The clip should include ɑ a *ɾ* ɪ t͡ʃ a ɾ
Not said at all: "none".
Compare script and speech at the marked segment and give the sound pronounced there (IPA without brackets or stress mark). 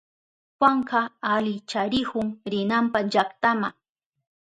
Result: l